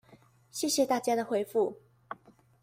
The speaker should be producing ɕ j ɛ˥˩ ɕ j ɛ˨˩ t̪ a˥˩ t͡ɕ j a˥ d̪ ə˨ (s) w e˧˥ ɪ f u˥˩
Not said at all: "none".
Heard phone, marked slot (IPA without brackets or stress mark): x